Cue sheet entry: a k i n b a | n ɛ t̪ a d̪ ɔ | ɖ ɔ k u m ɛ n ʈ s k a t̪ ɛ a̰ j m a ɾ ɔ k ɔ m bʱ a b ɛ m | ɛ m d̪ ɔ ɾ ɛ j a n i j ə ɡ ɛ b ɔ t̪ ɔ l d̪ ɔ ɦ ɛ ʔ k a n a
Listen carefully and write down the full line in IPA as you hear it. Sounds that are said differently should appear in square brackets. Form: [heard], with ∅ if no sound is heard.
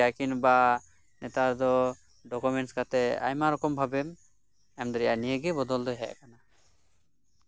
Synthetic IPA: a k i n b a | n ɛ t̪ a d̪ ɔ | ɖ ɔ k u m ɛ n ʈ s k a t̪ ɛ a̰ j m a ɾ ɔ k ɔ m bʱ a b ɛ m | ɛ m d̪ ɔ ɾ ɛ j a n i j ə ɡ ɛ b ɔ [d̪] ɔ l d̪ ɔ ɦ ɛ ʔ k a n a